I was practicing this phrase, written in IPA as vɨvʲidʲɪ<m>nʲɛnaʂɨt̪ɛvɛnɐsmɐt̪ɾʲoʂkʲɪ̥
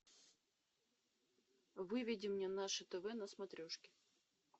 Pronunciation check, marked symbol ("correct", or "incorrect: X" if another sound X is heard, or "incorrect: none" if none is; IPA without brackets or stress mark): correct